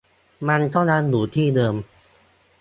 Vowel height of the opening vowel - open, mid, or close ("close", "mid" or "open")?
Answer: open